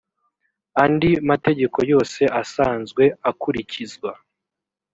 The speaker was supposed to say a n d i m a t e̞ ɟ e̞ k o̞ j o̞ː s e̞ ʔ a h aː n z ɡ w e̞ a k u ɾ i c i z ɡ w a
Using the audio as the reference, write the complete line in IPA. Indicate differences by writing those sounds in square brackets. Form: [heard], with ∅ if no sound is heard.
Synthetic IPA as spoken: a n d i m a t e̞ ɟ e̞ k o̞ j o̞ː s e̞ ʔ a [s] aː n z ɡ w e̞ a k u ɾ i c i z ɡ w a